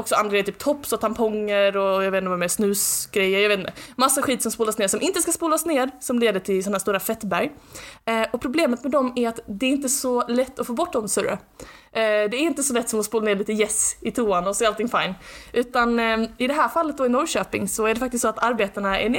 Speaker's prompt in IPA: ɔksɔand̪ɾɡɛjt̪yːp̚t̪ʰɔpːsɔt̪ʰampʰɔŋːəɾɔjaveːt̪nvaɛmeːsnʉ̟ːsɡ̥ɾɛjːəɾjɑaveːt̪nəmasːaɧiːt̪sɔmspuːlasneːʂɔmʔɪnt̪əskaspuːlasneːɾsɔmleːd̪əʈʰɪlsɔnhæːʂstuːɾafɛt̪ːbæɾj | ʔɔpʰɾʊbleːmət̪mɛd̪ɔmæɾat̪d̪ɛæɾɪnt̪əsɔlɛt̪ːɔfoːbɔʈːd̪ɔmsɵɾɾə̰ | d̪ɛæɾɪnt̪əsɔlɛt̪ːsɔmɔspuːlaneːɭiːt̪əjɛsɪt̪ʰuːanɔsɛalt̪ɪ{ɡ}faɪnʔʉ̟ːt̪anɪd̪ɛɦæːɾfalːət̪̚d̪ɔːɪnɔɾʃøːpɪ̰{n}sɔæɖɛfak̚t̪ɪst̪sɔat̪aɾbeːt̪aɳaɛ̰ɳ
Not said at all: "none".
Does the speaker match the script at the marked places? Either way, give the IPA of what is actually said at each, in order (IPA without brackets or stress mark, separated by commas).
ŋ, ŋ